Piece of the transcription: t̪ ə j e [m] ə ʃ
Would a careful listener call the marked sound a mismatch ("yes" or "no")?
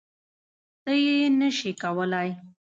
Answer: yes